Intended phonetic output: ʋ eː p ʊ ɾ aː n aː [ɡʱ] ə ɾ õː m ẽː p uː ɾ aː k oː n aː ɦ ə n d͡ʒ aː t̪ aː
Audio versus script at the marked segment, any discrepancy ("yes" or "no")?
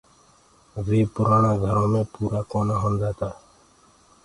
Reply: no